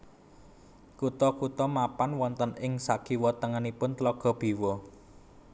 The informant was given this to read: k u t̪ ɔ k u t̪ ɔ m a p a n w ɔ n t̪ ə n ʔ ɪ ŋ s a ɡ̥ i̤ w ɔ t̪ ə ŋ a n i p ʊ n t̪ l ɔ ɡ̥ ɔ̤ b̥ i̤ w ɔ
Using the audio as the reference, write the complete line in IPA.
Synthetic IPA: k u t̪ ɔ k u t̪ ɔ m a p a n w ɔ n t̪ ə n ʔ ɪ ŋ s a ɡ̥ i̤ w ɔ t̪ ə ŋ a n i p ʊ n t̪ l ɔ ɡ̥ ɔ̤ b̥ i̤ w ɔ